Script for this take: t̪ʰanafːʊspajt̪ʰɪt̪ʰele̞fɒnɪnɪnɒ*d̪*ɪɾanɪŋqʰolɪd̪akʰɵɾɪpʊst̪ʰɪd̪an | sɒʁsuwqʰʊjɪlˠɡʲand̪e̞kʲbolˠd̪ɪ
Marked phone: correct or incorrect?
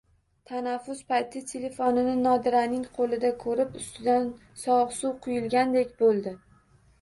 correct